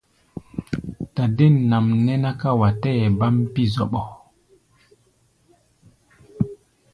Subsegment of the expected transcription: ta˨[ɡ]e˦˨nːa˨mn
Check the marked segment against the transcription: incorrect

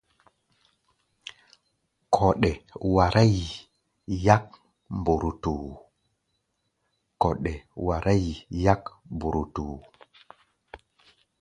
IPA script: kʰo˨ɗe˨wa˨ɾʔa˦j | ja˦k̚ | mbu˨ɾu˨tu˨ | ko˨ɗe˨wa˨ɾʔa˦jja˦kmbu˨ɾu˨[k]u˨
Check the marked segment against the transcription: incorrect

